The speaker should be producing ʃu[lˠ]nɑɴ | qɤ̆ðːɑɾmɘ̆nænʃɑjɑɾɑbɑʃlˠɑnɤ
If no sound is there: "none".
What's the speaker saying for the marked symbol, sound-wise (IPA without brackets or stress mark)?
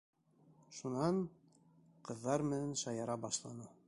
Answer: none